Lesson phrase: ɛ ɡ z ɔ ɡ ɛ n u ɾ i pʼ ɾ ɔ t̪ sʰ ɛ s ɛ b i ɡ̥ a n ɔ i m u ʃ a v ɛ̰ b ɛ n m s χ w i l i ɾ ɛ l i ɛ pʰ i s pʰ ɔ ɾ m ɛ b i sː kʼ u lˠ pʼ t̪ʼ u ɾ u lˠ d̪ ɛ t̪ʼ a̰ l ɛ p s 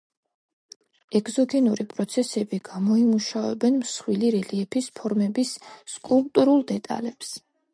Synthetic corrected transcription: ɛ ɡ z ɔ ɡ ɛ n u ɾ i pʼ ɾ ɔ t̪ sʰ ɛ s ɛ b i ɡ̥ a m ɔ i m u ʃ a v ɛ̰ b ɛ n m s χ w i l i ɾ ɛ l i ɛ pʰ i s pʰ ɔ ɾ m ɛ b i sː kʼ u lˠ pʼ t̪ʼ u ɾ u lˠ d̪ ɛ t̪ʼ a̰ l ɛ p s